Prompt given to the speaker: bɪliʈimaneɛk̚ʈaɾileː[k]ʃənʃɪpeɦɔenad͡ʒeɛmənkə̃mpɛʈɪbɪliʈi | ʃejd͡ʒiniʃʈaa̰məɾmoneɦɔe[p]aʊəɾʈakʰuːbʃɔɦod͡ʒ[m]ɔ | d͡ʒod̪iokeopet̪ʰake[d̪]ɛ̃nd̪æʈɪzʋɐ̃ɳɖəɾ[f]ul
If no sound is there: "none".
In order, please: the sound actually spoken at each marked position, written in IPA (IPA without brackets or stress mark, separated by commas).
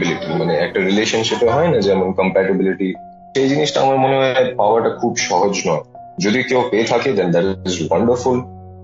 none, p, n, d̪, f